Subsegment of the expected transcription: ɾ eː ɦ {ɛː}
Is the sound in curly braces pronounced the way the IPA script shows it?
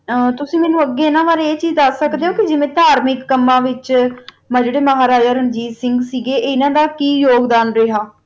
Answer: no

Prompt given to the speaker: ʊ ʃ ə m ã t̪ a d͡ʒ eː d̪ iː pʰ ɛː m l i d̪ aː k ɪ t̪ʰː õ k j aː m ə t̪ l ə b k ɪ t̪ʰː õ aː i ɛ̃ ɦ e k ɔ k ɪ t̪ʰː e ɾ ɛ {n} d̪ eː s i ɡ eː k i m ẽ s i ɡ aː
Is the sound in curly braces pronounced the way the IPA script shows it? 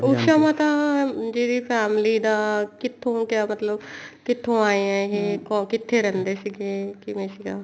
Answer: yes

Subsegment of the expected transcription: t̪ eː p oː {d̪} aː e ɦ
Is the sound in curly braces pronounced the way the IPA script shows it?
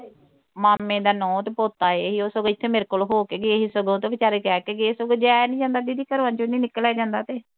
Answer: no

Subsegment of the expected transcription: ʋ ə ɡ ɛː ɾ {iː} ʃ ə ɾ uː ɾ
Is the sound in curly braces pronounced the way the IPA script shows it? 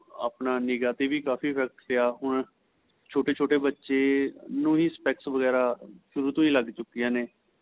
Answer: no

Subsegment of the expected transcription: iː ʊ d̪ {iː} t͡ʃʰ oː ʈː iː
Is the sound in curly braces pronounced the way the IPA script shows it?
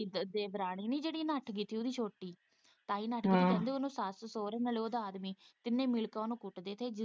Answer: yes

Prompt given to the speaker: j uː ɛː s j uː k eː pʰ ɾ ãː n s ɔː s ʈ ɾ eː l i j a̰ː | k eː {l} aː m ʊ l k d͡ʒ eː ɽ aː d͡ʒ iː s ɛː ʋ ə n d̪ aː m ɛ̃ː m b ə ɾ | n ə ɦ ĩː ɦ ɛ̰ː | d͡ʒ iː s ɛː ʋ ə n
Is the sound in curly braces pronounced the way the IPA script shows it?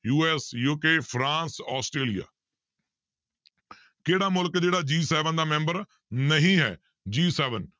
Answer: no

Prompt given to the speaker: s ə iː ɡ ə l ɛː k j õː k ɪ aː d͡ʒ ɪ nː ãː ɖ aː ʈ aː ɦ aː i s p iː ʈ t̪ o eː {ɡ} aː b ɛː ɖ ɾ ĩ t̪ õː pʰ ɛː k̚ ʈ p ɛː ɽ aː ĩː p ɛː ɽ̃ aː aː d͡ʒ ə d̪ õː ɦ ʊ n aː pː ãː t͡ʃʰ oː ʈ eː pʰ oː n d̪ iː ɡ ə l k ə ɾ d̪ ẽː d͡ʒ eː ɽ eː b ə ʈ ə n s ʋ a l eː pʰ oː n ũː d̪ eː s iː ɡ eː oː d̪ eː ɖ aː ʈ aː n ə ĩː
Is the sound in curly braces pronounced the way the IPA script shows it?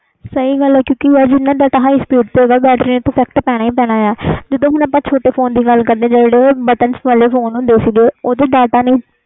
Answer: yes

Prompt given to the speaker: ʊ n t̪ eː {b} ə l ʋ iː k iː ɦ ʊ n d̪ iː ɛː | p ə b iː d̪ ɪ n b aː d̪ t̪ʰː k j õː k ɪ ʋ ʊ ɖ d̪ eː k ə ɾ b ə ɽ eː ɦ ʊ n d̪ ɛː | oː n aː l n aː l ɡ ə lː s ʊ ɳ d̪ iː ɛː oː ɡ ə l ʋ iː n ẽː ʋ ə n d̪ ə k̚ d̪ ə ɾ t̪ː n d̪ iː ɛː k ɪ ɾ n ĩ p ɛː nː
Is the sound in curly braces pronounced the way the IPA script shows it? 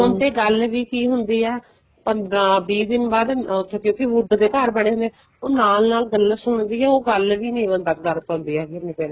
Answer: no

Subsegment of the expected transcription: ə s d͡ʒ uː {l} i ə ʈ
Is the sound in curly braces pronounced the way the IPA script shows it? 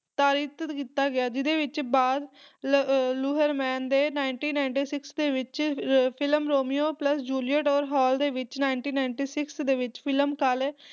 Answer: yes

